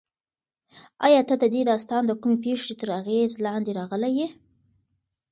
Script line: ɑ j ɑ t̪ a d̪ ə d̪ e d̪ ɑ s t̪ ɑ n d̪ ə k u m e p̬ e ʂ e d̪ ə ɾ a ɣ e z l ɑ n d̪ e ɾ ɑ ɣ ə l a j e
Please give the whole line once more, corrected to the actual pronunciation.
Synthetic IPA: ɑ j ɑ t̪ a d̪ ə d̪ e d̪ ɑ s t̪ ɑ n d̪ ə k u m e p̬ e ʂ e t̪ ə ɾ a ɣ e z l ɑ n d̪ e ɾ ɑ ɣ ə l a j e